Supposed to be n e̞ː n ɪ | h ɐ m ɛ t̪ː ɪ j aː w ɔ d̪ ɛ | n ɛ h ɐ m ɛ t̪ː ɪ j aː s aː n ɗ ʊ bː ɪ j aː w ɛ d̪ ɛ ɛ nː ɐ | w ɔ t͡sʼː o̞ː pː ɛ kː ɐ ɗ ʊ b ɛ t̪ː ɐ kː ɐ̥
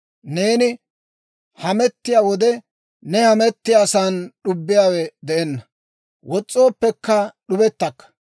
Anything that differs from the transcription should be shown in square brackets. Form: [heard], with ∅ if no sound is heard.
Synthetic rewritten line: n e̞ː n ɪ | h ɐ m ɛ t̪ː ɪ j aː w ɔ d̪ ɛ | n ɛ h ɐ m ɛ t̪ː ɪ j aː s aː n ɗ ʊ bː ɪ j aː w ɛ d̪ ɛ ɛ nː ɐ | w ɔ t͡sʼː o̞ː pː ɛ kː ɐ ɗ ʊ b ɛ t̪ː ɐ kː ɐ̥

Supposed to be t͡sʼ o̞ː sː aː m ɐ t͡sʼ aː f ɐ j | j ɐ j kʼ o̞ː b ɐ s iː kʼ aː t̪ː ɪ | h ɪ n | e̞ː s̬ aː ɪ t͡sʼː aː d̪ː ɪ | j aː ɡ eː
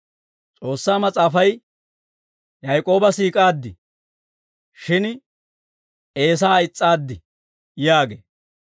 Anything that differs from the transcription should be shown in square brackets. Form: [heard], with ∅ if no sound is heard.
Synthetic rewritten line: t͡sʼ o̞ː sː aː m ɐ t͡sʼ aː f ɐ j | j ɐ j kʼ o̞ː b ɐ s iː kʼ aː [d̪ː] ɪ | [ʃ] ɪ n | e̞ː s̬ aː ɪ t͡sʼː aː d̪ː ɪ | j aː ɡ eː

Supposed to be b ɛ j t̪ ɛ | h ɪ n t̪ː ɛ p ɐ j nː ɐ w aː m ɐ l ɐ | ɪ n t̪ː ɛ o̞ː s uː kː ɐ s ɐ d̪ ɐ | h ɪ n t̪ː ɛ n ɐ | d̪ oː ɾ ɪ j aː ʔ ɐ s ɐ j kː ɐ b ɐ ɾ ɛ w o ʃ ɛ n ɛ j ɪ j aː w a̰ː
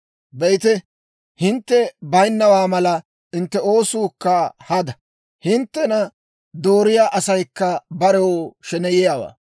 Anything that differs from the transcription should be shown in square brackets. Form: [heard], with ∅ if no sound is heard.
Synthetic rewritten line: b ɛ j t̪ ɛ | h ɪ n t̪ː ɛ [b] ɐ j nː ɐ w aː m ɐ l ɐ | ɪ n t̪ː ɛ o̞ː s uː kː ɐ [h] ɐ d̪ ɐ | h ɪ n t̪ː ɛ n ɐ | d̪ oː ɾ ɪ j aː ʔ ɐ s ɐ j kː ɐ b ɐ ɾ ɛ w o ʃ ɛ n ɛ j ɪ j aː w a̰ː

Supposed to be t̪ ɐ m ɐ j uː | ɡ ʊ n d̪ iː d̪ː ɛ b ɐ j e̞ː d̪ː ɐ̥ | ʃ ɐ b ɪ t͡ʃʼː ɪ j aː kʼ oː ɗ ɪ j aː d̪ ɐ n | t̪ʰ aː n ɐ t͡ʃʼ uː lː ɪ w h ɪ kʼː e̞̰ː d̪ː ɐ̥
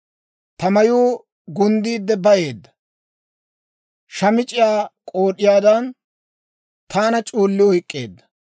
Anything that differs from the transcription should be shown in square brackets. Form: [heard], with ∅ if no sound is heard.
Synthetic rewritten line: t̪ ɐ m ɐ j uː | ɡ ʊ n d̪ iː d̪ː ɛ b ɐ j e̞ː d̪ː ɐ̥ | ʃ ɐ [m] ɪ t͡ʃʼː ɪ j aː kʼ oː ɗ ɪ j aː d̪ ɐ n | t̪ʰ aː n ɐ t͡ʃʼ uː lː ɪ w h ɪ kʼː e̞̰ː d̪ː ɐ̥

